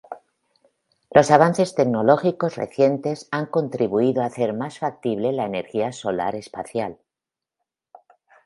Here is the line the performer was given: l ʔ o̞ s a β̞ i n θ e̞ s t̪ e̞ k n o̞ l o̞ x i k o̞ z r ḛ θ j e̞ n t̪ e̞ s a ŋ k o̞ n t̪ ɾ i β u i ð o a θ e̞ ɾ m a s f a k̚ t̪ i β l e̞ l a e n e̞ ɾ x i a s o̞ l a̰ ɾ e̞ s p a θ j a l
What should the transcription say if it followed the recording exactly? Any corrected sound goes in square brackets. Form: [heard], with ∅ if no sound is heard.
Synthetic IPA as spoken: l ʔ o̞ s a β̞ [a] n θ e̞ s t̪ e̞ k n o̞ l o̞ x i k o̞ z r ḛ θ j e̞ n t̪ e̞ s a ŋ k o̞ n t̪ ɾ i β u i ð o a θ e̞ ɾ m a s f a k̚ t̪ i β l e̞ l a e n e̞ ɾ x i a s o̞ l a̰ ɾ e̞ s p a θ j a l